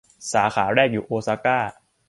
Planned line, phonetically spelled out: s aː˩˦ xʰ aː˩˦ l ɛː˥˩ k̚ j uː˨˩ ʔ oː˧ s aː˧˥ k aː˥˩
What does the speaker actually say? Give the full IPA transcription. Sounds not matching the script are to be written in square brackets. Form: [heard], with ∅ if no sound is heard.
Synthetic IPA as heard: s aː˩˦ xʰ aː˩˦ [ɾ] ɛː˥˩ k̚ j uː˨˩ ʔ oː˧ s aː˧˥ k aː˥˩